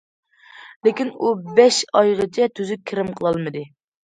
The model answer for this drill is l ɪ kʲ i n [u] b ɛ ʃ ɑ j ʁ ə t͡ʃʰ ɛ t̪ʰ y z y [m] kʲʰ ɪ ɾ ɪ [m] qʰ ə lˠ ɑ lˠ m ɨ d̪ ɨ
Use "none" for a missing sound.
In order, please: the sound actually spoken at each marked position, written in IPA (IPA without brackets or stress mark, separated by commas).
u, none, m